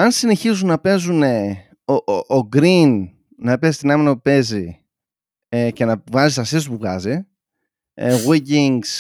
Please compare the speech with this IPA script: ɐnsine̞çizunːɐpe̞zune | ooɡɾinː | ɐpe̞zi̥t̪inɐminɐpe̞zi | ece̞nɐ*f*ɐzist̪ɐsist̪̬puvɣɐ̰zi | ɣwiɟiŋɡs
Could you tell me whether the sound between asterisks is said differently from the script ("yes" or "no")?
yes